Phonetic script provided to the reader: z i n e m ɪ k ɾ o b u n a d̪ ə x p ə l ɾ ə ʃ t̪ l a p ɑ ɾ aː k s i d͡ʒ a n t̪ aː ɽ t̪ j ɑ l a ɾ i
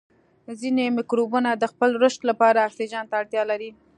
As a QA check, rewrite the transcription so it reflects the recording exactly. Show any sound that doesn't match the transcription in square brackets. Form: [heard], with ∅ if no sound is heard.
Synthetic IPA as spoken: z i n e m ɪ k ɾ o b u n a d̪ ə x p ə l ɾ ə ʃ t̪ l a p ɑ ɾ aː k s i d͡ʒ [ɑ] n t̪ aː ɽ t̪ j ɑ l a ɾ i